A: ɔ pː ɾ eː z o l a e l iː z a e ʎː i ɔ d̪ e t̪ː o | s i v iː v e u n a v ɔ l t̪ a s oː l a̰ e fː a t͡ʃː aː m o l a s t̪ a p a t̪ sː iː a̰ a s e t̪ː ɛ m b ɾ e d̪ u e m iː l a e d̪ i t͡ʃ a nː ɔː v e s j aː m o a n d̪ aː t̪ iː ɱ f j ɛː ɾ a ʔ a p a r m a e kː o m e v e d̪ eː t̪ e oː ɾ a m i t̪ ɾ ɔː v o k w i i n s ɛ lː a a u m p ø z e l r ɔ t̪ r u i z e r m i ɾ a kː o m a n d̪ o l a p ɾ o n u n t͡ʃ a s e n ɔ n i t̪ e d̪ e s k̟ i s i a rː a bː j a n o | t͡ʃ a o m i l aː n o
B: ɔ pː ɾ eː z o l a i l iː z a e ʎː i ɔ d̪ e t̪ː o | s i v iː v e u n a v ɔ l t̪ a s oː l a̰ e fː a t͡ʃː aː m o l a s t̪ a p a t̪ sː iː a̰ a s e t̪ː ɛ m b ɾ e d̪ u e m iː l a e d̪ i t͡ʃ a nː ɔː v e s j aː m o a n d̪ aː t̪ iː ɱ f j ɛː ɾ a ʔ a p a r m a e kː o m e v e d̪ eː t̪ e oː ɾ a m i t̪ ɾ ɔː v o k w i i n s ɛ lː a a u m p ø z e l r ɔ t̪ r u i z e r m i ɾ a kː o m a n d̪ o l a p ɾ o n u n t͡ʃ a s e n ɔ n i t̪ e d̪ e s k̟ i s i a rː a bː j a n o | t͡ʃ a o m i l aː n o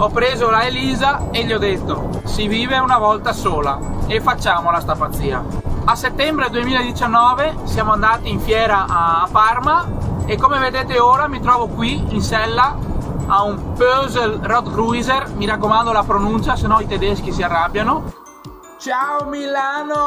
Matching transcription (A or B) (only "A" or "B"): A